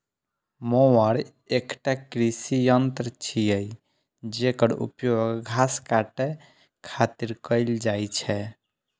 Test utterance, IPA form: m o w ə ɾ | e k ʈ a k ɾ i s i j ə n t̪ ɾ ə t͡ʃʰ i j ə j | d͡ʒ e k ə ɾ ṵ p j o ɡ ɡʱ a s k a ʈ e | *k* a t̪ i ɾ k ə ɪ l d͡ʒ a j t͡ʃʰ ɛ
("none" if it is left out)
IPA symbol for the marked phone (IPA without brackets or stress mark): kʰ